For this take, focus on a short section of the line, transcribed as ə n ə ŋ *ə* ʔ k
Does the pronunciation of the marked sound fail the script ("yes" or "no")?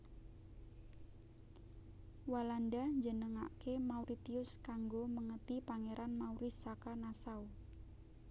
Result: yes